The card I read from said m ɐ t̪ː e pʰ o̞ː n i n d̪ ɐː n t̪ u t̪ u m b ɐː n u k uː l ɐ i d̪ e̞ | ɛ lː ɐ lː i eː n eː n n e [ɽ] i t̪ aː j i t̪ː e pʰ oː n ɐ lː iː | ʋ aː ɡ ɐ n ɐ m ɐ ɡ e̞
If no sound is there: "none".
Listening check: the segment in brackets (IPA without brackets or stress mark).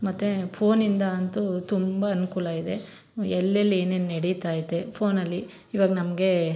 ɽ